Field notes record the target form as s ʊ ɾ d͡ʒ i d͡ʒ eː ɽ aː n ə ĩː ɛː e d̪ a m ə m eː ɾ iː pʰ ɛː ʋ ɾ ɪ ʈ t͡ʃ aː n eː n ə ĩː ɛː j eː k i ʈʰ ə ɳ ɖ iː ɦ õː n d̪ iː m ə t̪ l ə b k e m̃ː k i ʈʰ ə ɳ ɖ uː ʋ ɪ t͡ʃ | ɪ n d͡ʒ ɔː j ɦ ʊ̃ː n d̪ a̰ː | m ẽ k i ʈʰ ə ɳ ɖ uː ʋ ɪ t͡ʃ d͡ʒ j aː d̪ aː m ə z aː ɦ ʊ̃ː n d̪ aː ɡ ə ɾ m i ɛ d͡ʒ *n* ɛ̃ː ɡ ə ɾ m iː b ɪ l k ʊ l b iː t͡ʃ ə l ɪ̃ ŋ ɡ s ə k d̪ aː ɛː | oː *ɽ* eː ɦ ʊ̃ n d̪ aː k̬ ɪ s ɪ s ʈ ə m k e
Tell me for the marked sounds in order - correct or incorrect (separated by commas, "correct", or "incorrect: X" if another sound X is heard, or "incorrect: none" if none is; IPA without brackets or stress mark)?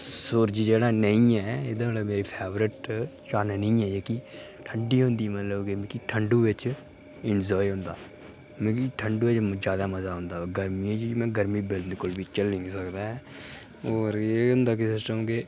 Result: incorrect: m, incorrect: ɾ